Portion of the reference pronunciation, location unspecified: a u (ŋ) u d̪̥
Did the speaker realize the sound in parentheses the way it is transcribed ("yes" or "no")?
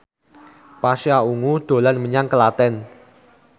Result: yes